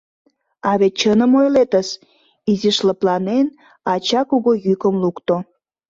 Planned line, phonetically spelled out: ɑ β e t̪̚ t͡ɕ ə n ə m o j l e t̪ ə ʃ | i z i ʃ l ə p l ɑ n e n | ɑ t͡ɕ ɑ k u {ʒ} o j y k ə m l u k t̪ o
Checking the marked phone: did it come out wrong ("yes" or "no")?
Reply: yes